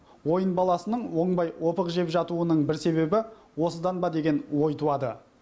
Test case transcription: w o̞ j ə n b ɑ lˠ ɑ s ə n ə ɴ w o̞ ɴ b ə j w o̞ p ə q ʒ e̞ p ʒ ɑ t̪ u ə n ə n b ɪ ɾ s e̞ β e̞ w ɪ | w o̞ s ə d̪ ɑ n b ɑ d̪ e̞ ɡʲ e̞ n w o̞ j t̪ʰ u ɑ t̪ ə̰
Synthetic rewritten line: w o̞ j ə n b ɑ lˠ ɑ s ə n ə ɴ w o̞ ɴ b ɑ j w o̞ p ə q ʒ e̞ p ʒ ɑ t̪ u ə n ə ɴ b ɪ ɾ s e̞ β e̞ b ɪ | w o̞ s ə d̪ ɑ n b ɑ d̪ e̞ ɡʲ e̞ n w o̞ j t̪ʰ u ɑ d̪ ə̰